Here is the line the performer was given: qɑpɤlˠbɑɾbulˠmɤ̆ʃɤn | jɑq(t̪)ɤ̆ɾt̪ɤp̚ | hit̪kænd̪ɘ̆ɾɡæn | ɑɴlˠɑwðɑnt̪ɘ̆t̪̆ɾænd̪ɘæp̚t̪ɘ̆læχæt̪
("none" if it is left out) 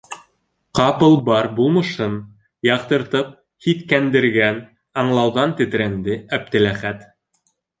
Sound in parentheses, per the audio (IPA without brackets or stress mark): t̪